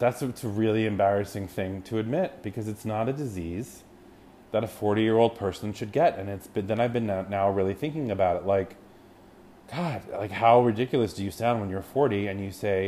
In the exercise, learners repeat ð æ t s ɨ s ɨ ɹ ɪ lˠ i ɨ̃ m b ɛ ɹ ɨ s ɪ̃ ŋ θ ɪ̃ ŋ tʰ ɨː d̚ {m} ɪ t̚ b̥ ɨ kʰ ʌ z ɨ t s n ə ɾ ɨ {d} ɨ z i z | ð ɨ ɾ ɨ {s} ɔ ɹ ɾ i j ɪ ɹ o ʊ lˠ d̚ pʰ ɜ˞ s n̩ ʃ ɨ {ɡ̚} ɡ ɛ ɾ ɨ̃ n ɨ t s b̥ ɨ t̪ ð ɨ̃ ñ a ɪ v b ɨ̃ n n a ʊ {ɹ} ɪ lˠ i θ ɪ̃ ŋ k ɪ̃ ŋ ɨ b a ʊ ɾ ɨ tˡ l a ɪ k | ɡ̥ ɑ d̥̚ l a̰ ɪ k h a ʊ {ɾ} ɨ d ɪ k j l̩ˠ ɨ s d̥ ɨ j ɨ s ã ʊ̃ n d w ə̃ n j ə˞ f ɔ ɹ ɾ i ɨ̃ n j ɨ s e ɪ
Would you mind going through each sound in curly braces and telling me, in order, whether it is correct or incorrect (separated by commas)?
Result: correct, correct, incorrect, incorrect, correct, incorrect